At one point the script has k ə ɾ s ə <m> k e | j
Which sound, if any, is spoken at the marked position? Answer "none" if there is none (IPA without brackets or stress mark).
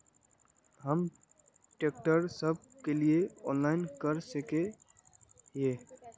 none